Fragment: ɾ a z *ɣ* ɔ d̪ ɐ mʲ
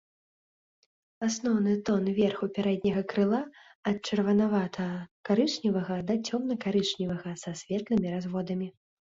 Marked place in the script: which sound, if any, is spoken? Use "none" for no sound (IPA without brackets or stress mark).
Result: v